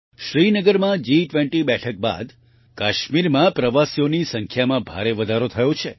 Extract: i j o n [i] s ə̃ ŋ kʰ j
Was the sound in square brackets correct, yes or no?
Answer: yes